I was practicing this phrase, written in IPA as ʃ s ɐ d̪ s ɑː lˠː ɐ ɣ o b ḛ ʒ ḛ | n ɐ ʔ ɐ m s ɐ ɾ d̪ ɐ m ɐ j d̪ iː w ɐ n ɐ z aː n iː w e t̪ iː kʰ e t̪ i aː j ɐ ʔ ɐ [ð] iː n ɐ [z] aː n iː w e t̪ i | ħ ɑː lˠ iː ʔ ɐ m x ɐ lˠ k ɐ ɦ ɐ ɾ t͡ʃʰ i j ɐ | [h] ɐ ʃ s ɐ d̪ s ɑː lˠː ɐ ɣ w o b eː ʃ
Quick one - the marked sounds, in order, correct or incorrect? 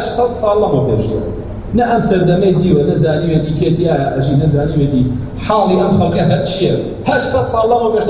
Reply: incorrect: ʒ, correct, correct

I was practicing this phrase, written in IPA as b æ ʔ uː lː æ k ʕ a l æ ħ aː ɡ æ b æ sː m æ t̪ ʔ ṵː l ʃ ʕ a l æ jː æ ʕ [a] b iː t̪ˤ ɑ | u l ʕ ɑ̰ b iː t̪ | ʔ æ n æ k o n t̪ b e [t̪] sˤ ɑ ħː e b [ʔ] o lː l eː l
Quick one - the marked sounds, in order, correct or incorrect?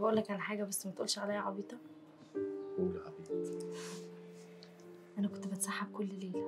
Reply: incorrect: ɑ, correct, incorrect: k

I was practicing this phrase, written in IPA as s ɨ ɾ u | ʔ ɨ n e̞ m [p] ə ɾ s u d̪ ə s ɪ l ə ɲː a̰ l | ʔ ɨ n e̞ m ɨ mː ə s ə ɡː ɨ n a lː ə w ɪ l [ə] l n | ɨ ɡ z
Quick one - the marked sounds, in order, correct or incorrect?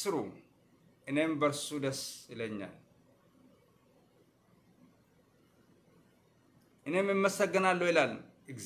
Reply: incorrect: b, incorrect: a

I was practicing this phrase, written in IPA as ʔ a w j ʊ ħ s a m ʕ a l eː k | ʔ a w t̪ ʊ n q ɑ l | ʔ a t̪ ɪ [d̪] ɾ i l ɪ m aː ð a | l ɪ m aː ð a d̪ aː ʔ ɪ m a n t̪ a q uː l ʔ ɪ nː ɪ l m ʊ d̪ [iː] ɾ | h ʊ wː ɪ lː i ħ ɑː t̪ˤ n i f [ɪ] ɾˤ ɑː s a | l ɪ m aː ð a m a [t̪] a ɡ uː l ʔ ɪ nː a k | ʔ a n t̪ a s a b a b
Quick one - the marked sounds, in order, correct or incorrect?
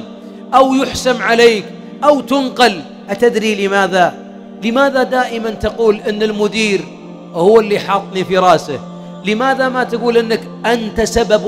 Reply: correct, correct, incorrect: i, correct

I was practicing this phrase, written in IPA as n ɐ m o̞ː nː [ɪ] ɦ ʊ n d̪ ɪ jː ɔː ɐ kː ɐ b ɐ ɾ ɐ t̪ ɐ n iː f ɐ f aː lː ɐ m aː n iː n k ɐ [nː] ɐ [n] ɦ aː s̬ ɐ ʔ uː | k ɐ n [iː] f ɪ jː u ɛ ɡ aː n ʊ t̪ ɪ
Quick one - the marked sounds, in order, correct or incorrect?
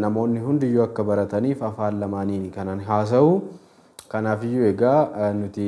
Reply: correct, incorrect: n, correct, incorrect: aː

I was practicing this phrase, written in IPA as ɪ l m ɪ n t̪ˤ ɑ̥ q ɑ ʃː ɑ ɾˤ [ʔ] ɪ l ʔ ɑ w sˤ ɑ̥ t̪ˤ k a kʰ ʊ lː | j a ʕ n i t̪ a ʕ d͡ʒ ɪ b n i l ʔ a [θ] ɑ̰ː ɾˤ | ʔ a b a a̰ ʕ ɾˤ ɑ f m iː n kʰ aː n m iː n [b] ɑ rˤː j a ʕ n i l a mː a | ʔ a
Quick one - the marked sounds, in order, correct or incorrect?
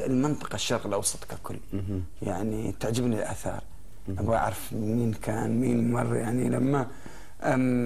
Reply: incorrect: q, correct, incorrect: m

